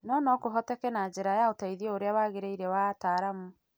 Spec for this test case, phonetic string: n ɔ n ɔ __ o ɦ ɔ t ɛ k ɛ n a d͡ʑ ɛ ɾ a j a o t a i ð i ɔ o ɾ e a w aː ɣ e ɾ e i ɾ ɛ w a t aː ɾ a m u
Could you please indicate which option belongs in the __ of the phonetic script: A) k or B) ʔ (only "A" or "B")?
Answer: A